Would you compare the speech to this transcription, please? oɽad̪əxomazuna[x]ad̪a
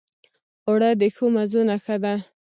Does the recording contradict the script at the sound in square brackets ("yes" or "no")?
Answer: no